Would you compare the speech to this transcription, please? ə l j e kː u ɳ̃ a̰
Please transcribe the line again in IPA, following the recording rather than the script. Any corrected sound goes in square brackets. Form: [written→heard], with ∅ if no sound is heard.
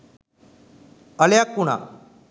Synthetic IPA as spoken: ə l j [e→a] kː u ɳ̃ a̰